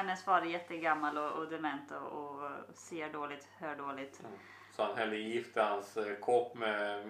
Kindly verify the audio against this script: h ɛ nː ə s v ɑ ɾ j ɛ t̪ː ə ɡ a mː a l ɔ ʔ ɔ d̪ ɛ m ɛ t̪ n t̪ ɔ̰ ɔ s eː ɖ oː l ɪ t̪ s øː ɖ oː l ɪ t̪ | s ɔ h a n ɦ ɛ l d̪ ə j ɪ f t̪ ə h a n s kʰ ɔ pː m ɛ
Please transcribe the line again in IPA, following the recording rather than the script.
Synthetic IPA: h ɛ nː ə s v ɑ ɾ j ɛ t̪ː ə ɡ a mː a l ɔ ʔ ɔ d̪ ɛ m ɛ n t̪ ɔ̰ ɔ s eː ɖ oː l ɪ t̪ h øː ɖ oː l ɪ t̪ | s ɔ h a n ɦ ɛ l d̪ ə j ɪ f t̪ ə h a n s kʰ ɔ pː m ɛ